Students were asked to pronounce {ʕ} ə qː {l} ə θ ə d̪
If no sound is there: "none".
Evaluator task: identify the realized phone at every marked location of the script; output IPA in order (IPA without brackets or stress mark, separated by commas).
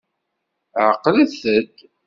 ʕ, l